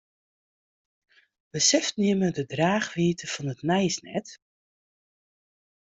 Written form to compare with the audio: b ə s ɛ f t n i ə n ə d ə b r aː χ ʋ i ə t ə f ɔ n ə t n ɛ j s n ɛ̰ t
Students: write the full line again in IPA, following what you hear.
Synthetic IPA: b ə s ɛ f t n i ə m ə d ə d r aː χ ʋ i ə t ə f ɔ n ə t n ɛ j s n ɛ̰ t